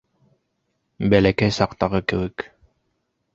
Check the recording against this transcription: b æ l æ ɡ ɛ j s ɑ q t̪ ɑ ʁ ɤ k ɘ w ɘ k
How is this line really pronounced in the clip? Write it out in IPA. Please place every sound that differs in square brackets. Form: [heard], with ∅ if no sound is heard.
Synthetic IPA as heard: b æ l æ [k] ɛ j s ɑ q t̪ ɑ ʁ ɤ k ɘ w ɘ k